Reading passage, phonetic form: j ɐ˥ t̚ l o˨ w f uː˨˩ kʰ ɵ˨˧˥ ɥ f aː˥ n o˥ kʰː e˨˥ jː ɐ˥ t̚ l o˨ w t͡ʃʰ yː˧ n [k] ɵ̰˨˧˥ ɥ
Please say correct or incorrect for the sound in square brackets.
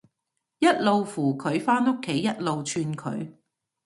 incorrect